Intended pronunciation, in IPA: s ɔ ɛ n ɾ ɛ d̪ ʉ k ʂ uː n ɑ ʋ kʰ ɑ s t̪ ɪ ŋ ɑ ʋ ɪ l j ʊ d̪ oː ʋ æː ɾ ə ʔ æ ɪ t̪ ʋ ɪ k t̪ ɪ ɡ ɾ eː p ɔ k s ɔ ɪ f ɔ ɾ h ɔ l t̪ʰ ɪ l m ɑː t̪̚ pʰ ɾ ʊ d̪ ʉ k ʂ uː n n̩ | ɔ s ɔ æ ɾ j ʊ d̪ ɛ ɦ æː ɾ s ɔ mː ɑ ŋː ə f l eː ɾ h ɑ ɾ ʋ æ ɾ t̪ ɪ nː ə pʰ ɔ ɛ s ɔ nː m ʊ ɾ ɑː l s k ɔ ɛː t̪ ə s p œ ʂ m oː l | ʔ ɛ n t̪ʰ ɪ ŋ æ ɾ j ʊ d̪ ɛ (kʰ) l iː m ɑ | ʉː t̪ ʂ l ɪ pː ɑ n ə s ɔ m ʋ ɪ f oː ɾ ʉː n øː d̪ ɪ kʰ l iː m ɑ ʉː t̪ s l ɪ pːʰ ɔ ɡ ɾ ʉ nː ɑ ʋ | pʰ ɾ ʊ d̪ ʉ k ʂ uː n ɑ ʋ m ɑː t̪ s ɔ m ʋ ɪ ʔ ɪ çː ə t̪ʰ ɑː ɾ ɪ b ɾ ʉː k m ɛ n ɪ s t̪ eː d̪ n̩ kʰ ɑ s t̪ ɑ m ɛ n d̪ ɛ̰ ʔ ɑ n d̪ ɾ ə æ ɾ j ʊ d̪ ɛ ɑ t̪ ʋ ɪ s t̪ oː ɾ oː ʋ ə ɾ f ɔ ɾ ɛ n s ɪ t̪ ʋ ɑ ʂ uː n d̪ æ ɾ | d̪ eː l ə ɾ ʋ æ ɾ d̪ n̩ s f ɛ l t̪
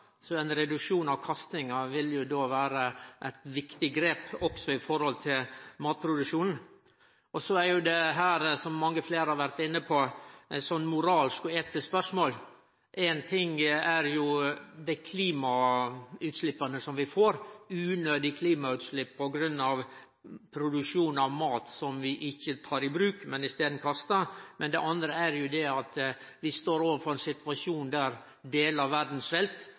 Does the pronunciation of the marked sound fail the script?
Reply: no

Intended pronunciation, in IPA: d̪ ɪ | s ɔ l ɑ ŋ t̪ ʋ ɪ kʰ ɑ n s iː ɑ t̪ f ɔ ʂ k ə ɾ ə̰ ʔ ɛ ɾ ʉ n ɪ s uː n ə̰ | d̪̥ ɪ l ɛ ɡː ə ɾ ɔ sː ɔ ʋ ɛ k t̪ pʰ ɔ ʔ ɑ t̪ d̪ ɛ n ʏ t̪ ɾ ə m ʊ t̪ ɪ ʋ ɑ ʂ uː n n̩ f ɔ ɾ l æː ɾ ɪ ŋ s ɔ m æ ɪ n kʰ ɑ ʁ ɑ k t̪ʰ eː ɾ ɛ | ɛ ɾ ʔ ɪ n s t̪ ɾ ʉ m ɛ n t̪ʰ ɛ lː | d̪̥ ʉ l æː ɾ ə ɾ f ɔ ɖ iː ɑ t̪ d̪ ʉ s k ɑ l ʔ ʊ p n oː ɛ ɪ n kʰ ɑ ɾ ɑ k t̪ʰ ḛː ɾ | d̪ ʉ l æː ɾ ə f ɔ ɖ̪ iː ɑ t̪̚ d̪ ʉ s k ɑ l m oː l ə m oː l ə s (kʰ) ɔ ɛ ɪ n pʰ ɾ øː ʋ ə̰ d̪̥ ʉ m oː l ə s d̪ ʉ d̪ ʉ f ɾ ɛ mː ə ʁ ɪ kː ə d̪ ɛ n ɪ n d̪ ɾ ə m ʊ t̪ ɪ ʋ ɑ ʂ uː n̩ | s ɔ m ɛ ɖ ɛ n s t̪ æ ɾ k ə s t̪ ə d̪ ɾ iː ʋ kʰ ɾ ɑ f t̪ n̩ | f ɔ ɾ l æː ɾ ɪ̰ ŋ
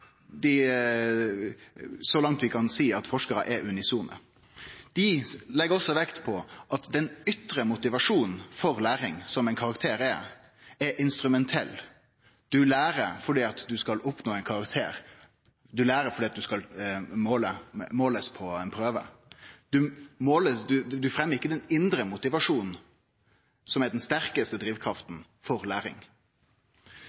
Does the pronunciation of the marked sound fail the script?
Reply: yes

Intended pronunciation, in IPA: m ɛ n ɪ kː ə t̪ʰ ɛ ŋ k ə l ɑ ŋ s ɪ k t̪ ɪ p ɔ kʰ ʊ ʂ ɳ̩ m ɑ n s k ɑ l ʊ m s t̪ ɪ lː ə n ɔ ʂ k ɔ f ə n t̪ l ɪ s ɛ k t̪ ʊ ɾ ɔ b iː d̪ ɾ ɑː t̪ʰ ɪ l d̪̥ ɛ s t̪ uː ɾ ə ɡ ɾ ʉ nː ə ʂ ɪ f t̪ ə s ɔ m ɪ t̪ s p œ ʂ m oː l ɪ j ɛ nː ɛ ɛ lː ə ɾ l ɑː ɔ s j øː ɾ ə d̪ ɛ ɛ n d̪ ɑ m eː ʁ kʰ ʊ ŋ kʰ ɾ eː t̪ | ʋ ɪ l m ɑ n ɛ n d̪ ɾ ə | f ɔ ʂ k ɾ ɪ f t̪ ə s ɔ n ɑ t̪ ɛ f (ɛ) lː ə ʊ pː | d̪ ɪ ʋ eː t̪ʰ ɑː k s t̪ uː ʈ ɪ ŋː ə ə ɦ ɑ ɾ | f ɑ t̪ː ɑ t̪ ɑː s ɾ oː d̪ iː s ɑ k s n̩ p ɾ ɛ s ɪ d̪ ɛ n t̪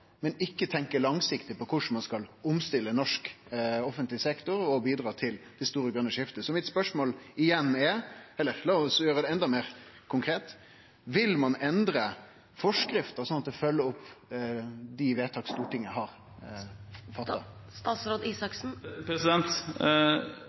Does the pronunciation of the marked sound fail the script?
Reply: yes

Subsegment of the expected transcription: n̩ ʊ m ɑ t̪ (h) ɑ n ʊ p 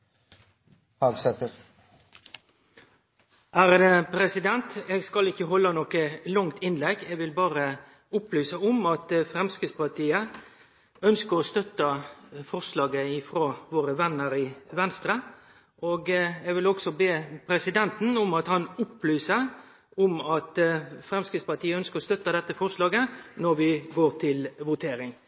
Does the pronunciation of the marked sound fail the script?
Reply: no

